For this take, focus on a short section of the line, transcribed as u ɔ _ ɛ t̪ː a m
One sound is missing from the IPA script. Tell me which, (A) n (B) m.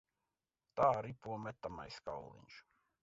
B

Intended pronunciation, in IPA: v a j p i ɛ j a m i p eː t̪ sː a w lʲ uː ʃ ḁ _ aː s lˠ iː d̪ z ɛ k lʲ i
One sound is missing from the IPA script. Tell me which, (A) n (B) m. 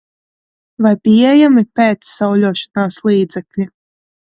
A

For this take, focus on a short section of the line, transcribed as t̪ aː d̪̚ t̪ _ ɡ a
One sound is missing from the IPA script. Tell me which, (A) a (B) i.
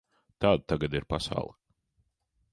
A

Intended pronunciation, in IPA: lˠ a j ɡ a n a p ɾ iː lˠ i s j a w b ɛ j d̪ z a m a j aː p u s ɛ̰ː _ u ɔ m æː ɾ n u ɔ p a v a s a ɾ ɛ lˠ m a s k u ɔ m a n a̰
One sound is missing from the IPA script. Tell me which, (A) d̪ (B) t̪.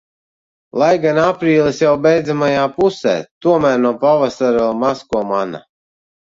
B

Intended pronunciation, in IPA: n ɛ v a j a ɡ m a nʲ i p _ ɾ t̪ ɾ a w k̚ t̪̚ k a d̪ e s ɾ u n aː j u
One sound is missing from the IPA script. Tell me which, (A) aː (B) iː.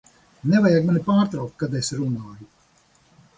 A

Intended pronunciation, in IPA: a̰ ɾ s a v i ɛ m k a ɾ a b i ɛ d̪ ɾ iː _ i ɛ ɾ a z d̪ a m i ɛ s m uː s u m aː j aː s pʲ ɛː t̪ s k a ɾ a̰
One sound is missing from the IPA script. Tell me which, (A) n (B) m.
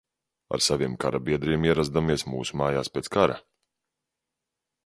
B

